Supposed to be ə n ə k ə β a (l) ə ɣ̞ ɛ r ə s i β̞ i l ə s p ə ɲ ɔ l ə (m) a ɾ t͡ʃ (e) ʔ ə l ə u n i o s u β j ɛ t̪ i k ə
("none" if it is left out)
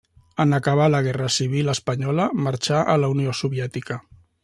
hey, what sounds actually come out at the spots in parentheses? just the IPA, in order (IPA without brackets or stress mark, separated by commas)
l, m, a